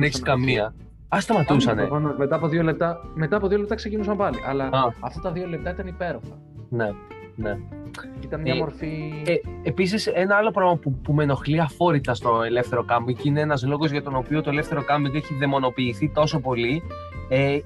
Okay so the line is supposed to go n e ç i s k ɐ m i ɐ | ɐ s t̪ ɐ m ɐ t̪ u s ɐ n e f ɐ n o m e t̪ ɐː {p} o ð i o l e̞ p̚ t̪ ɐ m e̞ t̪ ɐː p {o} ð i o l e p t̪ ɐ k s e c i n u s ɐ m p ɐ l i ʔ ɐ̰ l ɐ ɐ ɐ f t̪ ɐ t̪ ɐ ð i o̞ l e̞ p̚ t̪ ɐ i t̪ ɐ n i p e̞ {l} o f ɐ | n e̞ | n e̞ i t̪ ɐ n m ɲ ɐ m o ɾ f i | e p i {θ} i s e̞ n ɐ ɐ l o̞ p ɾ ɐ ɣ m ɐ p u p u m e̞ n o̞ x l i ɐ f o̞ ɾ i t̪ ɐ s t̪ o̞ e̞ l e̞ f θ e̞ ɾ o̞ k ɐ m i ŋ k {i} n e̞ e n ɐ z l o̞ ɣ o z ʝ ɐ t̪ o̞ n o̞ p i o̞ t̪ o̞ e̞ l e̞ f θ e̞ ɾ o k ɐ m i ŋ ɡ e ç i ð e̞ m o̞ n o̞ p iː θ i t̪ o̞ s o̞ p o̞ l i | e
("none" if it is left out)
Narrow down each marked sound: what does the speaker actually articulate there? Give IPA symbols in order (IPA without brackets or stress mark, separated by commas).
p, o, ɾ, s, i